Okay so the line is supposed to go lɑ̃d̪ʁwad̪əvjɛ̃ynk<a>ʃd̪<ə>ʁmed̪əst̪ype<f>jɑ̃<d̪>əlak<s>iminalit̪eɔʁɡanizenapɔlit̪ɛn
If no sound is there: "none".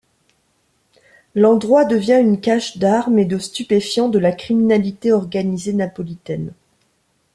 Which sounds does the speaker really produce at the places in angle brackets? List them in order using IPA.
a, a, f, d̪, χ

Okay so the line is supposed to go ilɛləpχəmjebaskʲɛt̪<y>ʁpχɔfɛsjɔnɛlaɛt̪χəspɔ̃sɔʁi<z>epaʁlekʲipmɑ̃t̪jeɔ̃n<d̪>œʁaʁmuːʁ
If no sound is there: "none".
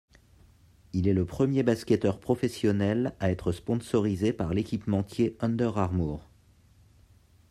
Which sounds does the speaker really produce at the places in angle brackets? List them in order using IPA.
œ, z, d̪

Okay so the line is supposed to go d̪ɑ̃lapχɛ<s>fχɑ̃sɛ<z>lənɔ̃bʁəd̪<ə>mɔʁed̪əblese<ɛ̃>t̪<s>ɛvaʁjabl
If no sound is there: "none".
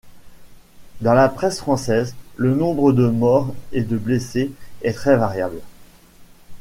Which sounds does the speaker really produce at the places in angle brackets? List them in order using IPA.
s, z, ə, ɛ, χ

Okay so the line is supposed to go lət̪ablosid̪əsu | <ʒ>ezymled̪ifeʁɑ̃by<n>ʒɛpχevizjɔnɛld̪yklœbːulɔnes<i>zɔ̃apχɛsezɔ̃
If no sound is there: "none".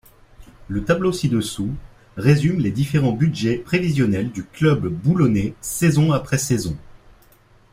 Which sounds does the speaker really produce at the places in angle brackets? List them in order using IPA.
ʁ, d, e

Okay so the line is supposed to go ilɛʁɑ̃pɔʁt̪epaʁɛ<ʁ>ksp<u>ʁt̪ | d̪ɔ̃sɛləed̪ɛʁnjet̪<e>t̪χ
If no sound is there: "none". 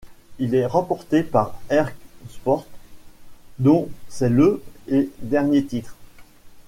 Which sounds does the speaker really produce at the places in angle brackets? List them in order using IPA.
ʁ, ɔ, i

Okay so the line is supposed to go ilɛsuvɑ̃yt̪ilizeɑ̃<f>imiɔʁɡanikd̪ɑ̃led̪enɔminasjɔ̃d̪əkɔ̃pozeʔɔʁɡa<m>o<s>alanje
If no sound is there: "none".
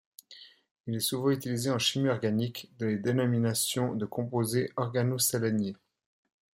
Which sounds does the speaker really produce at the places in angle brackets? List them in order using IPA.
ʃ, n, s

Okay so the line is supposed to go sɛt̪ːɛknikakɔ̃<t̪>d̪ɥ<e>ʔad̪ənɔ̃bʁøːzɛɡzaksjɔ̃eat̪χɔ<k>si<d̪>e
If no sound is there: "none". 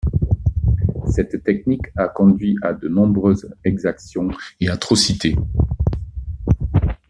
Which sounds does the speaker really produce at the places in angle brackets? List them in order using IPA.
none, i, none, t̪

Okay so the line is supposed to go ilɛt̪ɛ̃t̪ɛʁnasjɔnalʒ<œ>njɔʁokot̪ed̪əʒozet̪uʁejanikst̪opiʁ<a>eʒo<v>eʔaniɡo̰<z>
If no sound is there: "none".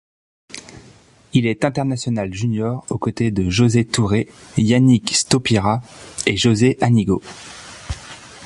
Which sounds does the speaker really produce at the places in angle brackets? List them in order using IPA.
y, a, z, none

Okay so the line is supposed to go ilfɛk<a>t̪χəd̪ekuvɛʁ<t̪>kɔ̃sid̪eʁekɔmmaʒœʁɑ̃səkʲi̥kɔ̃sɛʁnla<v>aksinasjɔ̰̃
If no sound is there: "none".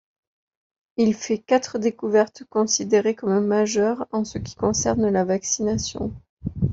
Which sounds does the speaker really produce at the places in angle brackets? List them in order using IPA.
a, t̪, v

